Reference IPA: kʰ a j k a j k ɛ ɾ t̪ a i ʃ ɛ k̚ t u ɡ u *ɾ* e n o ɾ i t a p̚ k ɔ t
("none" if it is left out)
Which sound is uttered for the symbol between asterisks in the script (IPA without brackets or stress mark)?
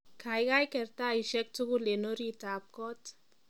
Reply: l